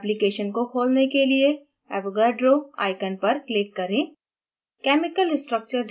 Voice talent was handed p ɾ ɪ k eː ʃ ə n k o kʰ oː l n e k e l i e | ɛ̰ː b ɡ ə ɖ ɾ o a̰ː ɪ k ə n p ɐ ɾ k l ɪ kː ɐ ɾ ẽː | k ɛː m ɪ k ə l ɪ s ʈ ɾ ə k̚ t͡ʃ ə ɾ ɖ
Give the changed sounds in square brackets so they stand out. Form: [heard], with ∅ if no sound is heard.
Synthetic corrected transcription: p [l] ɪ k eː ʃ ə n k o kʰ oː l n e k e l i e | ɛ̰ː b ɡ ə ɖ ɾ o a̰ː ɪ k ə n p ɐ ɾ k l ɪ kː ɐ ɾ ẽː | k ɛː m ɪ k ə l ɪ s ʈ ɾ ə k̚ t͡ʃ ə ɾ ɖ